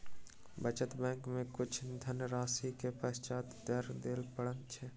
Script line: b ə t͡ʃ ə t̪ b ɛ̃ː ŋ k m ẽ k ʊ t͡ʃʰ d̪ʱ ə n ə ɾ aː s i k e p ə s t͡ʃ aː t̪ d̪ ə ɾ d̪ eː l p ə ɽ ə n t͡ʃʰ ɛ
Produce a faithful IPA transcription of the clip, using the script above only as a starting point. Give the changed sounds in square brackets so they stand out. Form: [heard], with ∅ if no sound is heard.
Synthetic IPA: b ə t͡ʃ ə t̪ b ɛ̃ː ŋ k m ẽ k ʊ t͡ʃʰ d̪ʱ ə n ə ɾ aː s i k e p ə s t͡ʃ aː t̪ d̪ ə ɾ d̪ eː l p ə ɽ ə n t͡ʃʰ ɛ